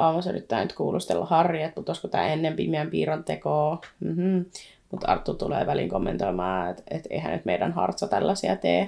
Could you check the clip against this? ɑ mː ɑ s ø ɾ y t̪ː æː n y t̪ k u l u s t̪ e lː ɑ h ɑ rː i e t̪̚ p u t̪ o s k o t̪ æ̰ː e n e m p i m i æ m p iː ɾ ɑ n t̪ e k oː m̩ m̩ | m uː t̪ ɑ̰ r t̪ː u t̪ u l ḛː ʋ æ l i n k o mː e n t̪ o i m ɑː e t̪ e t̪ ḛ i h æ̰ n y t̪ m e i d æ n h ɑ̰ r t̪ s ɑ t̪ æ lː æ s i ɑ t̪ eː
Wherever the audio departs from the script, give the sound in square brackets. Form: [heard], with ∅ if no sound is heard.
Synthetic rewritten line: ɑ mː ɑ s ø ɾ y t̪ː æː n y t̪ k [uː] l u s t̪ e lː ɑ h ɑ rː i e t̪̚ p u t̪ o s k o t̪ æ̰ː e [nː] e m p i m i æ m p iː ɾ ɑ n t̪ e k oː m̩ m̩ | m [u] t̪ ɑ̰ r t̪ː u t̪ u l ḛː ʋ æ l i [ŋ] k o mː e n t̪ o i m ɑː e t̪ e t̪ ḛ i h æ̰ n y t̪ m e i d æ n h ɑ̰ r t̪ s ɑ t̪ æ lː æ s i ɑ t̪ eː